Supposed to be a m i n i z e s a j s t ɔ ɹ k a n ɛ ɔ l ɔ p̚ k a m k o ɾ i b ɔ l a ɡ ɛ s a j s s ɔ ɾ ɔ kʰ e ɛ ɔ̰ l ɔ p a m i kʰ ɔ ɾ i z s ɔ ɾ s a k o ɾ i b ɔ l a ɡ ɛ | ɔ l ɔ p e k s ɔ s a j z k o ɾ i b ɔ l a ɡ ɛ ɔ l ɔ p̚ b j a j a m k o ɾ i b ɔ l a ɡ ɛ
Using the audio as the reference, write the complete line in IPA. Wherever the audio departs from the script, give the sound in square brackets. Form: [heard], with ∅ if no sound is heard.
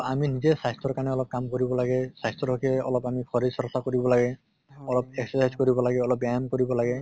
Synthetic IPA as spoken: a m i n i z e s a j s t ɔ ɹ k a n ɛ ɔ l ɔ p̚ k a m k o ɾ i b ɔ l a ɡ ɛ s a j s [t] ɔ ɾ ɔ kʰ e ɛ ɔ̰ l ɔ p a m i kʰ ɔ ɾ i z s ɔ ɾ s a k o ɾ i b ɔ l a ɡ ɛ | ɔ l ɔ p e k s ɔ s a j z k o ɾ i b ɔ l a ɡ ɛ ɔ l ɔ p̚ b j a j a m k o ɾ i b ɔ l a ɡ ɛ